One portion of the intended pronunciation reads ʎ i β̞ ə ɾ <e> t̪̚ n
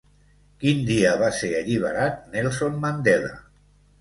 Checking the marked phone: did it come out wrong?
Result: yes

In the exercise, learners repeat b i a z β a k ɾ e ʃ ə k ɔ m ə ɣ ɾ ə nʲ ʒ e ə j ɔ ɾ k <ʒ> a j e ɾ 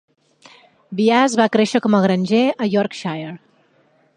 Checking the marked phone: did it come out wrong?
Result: yes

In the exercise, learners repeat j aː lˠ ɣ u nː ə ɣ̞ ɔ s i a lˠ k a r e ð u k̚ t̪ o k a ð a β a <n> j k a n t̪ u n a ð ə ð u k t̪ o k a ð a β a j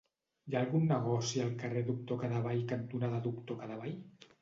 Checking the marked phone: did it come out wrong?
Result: yes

